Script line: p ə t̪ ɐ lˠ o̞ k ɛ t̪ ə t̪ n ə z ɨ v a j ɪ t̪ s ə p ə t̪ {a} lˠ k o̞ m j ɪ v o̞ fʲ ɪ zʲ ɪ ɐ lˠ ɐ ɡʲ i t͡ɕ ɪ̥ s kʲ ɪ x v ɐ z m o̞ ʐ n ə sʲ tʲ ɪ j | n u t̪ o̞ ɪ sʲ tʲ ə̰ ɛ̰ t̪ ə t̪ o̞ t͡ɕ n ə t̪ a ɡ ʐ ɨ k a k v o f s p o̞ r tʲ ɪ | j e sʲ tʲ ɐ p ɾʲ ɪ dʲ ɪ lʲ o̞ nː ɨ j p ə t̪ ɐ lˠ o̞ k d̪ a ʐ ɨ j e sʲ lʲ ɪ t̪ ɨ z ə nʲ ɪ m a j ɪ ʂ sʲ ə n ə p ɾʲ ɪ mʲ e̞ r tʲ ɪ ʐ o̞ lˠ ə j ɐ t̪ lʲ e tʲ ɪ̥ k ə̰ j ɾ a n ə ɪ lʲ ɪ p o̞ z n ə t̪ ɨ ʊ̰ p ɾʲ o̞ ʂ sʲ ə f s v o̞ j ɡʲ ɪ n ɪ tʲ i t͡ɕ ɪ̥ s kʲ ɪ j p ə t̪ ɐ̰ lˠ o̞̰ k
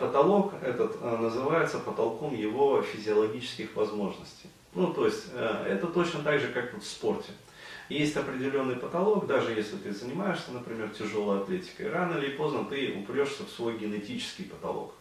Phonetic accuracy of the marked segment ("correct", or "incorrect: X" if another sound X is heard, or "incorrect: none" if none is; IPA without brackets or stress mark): incorrect: ɐ